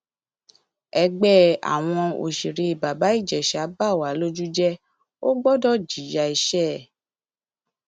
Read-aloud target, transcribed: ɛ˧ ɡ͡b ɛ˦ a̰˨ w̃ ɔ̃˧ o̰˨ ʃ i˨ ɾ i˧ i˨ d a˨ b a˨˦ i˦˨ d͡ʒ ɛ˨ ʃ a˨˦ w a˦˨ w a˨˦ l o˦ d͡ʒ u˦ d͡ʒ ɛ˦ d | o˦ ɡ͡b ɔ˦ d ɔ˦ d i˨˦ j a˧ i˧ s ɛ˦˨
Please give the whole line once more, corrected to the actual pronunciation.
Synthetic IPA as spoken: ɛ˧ ɡ͡b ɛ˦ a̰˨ w̃ ɔ̃˧ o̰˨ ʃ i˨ ɾ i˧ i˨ b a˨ b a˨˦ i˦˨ d͡ʒ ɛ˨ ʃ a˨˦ b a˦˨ w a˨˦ l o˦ d͡ʒ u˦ d͡ʒ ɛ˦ | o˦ ɡ͡b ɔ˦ d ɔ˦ d͡ʒ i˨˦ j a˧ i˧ ʃ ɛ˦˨